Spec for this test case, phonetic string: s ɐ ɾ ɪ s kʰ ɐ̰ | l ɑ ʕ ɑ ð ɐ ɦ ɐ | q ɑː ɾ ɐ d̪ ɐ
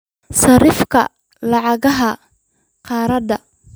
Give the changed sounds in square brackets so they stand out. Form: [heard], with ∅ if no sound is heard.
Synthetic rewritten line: s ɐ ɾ ɪ [f] kʰ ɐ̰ | l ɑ ʕ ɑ [ɣ] ɐ ɦ ɐ | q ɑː ɾ ɐ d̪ ɐ